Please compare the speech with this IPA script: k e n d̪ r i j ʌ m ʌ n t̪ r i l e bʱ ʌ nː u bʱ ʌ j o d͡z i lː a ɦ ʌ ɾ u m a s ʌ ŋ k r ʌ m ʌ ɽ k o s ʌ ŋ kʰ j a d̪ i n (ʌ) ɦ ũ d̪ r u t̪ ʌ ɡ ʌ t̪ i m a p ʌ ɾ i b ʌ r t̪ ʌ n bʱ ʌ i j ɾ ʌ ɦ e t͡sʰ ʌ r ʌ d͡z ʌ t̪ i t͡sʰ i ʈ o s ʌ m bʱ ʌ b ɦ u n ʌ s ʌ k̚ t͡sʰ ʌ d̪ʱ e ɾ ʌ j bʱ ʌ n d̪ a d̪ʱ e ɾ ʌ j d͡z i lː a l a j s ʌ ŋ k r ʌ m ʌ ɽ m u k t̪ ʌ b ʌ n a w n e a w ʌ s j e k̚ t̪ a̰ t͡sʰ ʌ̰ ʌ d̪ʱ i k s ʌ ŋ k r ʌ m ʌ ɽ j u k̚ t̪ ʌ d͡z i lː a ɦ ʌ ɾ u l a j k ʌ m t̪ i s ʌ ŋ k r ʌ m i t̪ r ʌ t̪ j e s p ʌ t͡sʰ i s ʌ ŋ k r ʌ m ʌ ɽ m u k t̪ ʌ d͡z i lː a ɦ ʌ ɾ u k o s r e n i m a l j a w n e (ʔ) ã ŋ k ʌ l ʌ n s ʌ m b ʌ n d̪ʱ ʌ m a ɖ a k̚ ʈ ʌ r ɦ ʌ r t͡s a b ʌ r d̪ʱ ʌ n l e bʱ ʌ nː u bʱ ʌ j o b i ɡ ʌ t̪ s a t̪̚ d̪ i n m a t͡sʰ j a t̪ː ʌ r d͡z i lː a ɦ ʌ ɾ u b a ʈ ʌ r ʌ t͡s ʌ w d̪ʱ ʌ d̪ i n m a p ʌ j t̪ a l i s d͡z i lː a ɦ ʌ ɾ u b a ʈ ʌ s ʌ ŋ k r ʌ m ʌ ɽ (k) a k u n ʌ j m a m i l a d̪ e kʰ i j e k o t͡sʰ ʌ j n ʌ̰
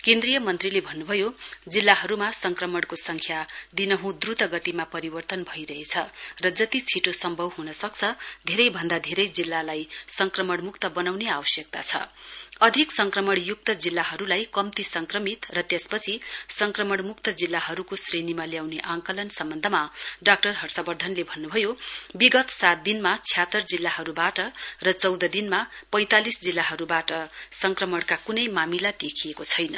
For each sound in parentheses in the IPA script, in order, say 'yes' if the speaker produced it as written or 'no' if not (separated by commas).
yes, yes, yes